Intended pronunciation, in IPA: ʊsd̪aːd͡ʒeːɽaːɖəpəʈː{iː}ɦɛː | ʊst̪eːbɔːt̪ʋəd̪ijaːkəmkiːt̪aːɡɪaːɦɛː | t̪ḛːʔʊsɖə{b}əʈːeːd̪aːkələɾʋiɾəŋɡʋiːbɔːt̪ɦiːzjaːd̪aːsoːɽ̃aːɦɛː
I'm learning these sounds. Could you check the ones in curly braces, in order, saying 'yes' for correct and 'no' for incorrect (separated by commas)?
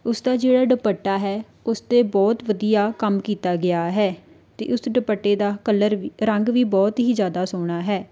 no, no